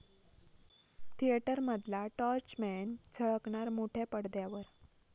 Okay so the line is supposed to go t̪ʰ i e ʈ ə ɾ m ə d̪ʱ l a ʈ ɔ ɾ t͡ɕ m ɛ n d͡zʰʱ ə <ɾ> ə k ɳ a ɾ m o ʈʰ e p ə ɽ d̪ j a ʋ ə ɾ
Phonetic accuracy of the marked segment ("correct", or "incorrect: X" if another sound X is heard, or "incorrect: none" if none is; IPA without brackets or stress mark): incorrect: ɭ